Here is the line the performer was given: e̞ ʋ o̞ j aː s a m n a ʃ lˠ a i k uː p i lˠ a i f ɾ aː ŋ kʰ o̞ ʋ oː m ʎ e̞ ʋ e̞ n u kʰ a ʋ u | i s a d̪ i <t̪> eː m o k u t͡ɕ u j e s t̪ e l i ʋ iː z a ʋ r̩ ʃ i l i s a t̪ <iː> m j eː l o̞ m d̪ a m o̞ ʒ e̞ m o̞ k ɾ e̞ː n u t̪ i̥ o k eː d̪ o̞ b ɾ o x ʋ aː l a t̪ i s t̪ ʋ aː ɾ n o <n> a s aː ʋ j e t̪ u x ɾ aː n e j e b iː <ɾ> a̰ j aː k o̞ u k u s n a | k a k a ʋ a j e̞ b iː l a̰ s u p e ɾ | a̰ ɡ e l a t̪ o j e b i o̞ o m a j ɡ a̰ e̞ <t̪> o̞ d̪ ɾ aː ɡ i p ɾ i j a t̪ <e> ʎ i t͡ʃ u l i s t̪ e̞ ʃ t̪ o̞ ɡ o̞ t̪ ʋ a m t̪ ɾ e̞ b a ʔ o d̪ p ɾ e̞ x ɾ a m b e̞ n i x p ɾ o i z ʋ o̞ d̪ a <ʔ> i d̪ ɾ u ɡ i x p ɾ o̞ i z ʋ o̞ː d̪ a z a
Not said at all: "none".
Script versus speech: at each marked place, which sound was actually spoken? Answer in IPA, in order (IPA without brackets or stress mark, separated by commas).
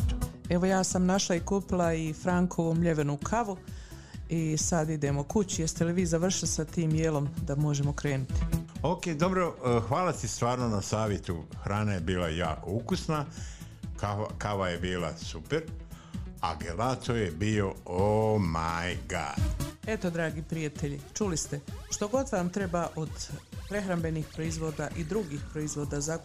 d̪, iː, n, l, t̪, e, ʔ